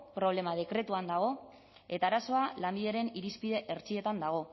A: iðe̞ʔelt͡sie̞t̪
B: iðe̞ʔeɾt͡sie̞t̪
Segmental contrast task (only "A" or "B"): B